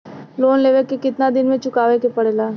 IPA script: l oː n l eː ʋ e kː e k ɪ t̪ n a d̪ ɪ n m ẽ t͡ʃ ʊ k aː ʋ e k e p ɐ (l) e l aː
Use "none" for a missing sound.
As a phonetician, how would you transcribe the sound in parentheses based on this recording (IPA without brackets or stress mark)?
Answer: ɽ